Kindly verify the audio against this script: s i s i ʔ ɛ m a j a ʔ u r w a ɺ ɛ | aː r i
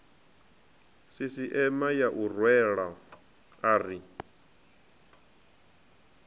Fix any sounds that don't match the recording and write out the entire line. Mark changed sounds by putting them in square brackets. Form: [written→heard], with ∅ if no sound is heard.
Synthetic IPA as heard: s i s i ʔ ɛ m a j a ʔ u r w [a→ɛ] ɺ [ɛ→a] | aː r i